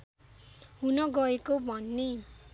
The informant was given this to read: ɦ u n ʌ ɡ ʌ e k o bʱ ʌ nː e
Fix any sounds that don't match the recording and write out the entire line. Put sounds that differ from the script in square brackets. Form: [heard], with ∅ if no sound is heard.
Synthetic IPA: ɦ u n ʌ ɡ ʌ e k o bʱ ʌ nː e